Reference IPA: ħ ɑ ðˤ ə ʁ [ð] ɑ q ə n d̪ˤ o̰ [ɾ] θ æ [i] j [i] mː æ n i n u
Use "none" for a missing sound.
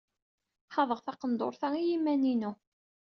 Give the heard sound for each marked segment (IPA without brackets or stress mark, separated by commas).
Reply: θ, ɾ, i, i